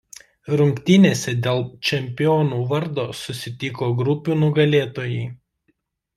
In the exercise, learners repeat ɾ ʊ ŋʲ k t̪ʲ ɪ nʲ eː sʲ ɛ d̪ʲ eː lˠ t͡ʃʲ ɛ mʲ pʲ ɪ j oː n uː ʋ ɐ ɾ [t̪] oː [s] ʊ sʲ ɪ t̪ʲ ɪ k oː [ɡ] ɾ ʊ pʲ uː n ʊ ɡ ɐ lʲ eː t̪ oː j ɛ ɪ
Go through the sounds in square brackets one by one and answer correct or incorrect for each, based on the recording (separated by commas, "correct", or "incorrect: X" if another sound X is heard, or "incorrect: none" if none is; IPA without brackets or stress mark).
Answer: incorrect: d̪, correct, correct